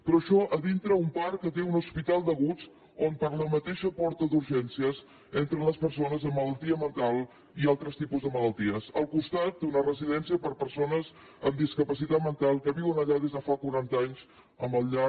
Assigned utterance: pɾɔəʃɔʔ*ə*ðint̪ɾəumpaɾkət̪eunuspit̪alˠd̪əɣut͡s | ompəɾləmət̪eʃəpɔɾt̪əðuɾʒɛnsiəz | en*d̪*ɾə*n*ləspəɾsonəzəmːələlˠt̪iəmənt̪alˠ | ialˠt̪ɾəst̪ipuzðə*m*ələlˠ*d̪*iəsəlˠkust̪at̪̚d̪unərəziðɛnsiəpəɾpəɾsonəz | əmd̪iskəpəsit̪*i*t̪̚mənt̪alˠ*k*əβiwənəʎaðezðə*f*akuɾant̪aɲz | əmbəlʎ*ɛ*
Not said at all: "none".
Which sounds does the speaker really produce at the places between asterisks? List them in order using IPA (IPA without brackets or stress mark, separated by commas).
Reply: ə, t̪, n, m, t̪, a, k, f, a